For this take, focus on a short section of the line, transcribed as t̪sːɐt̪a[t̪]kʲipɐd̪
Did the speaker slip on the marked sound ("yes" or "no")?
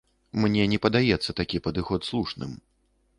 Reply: yes